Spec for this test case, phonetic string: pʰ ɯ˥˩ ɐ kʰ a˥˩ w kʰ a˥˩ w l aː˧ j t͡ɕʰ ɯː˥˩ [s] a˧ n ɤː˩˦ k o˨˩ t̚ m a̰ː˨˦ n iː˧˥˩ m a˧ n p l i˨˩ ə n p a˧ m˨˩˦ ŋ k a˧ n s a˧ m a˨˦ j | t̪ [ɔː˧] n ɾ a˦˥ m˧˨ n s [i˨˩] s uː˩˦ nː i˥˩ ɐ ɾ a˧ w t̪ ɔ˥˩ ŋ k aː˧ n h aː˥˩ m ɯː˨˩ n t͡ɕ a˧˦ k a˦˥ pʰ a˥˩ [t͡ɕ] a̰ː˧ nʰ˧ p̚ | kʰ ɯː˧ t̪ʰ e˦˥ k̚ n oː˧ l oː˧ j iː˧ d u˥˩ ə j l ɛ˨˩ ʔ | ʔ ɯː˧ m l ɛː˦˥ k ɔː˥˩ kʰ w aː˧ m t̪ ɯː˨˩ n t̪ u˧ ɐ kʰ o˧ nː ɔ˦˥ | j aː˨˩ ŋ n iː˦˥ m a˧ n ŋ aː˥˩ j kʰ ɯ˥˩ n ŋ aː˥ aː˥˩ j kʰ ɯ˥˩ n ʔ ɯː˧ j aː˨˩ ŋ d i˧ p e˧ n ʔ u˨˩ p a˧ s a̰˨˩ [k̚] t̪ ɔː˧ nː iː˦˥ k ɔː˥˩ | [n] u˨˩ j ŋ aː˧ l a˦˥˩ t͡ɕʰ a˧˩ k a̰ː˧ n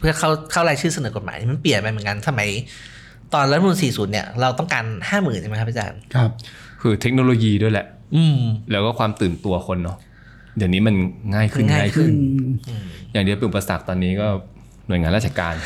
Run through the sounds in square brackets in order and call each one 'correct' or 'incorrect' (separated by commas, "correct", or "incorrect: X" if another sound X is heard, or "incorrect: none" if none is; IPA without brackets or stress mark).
correct, correct, incorrect: iː˨˩, correct, correct, correct